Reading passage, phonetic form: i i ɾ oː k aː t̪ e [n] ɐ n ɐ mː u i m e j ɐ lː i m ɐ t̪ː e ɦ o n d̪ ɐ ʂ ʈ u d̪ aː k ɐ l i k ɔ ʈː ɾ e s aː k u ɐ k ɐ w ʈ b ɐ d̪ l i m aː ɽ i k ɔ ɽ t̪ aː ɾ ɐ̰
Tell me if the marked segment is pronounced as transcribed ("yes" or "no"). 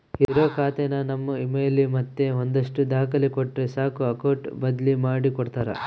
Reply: yes